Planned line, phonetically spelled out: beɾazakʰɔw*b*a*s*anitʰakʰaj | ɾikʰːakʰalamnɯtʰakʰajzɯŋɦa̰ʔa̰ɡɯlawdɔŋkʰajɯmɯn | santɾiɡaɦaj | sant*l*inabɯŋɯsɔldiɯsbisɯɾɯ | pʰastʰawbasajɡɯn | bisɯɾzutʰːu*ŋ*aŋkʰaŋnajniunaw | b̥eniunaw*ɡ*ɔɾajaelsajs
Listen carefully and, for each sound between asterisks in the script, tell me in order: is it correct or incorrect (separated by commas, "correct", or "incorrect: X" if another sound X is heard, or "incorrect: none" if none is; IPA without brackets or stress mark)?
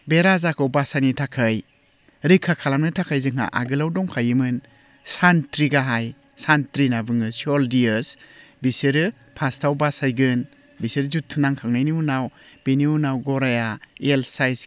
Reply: correct, correct, incorrect: ɾ, incorrect: n, correct